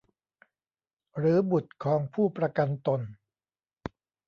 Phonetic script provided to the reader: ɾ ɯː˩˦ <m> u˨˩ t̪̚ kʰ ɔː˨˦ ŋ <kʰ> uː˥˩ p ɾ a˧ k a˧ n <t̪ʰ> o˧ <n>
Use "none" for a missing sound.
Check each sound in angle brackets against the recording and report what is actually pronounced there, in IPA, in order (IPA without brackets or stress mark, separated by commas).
b, pʰ, t̪, n